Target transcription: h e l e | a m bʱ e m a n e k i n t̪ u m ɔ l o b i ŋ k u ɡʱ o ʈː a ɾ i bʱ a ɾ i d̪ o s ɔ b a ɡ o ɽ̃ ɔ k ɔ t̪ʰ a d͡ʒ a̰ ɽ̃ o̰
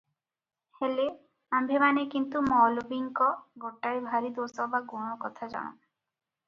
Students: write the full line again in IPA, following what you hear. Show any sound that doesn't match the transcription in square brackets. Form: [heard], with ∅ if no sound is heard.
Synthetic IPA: h e l e | a m bʱ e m a n e k i n t̪ u m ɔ l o b i ŋ k [ɔ] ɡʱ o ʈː a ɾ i bʱ a ɾ i d̪ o s ɔ b a ɡ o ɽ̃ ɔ k ɔ t̪ʰ a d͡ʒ a̰ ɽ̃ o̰